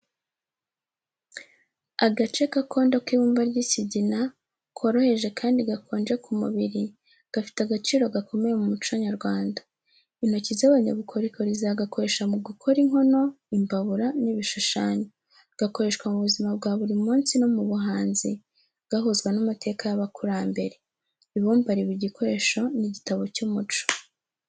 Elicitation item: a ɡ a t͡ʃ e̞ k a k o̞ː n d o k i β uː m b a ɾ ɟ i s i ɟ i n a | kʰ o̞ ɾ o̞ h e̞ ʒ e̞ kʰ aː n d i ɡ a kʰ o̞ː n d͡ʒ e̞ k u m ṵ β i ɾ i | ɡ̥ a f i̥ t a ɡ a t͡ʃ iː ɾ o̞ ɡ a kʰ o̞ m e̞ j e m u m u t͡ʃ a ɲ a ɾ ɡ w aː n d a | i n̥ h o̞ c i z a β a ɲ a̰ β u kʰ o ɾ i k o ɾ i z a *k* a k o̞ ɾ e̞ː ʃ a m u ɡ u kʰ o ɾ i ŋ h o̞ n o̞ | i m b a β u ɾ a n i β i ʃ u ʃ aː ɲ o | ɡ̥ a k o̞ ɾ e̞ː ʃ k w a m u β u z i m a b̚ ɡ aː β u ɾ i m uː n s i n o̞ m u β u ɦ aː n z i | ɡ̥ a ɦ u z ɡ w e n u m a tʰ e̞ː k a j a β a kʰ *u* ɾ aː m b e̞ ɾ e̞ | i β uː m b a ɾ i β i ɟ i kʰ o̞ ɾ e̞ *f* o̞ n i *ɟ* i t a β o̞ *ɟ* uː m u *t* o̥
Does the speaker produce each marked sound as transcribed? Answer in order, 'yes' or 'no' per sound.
no, yes, no, yes, no, no

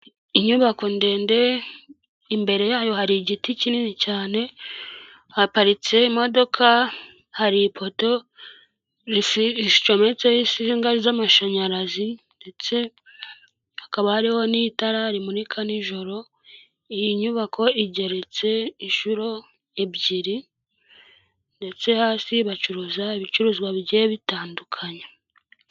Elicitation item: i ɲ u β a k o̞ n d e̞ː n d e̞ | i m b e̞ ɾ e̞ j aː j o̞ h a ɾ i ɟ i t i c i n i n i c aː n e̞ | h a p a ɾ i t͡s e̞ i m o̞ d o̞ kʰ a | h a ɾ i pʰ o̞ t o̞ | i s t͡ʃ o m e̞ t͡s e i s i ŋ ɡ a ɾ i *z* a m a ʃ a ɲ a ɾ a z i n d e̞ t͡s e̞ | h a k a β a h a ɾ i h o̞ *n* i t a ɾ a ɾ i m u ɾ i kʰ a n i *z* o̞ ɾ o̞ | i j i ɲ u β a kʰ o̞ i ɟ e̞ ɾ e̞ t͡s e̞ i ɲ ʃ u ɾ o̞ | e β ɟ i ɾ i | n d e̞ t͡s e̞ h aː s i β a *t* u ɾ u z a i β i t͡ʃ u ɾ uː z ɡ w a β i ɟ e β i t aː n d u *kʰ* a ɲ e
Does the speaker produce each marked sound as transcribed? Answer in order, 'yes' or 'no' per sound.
yes, yes, no, no, yes

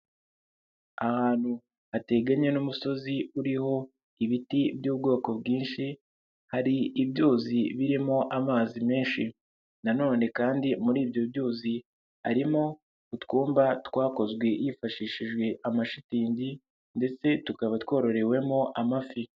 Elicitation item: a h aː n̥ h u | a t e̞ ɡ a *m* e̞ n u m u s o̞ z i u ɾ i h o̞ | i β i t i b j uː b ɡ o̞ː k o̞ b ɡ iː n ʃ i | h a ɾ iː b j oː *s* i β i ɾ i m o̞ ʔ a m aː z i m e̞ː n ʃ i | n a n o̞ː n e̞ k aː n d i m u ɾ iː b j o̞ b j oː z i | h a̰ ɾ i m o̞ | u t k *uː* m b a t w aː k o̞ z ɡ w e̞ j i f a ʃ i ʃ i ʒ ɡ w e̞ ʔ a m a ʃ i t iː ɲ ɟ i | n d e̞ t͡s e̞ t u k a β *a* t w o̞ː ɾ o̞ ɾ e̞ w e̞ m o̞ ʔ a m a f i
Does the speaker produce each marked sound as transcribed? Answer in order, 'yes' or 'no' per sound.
no, no, yes, yes

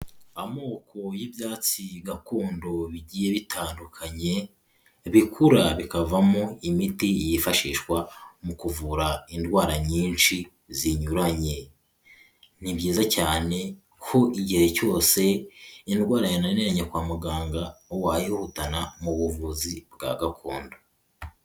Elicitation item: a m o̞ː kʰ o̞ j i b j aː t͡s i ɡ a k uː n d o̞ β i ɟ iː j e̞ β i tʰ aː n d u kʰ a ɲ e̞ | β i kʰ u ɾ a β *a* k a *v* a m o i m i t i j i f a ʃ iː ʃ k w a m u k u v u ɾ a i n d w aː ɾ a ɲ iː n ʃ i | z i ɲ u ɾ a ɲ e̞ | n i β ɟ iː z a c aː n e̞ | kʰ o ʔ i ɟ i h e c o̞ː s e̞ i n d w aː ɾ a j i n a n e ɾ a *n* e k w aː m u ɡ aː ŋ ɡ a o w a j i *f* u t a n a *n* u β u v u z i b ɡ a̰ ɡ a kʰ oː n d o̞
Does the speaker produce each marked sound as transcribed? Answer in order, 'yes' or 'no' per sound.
no, yes, no, no, no

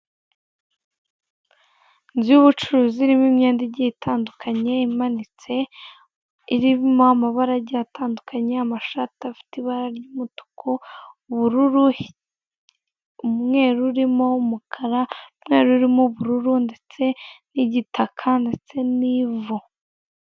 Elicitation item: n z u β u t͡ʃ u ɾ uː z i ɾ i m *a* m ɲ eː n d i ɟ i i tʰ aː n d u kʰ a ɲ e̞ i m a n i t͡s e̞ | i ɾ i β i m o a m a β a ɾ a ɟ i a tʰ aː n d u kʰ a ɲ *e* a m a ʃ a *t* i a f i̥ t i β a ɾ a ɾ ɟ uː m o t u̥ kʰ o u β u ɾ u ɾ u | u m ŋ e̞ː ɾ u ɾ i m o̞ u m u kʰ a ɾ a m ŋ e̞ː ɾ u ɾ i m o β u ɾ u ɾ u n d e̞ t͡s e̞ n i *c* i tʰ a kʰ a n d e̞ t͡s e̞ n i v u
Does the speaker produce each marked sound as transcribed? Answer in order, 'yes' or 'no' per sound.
no, yes, yes, no

